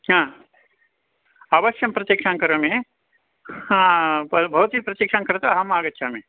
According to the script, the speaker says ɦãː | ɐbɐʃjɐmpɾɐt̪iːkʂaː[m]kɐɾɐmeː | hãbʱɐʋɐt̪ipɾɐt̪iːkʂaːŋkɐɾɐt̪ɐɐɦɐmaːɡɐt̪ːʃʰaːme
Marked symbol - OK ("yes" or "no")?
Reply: no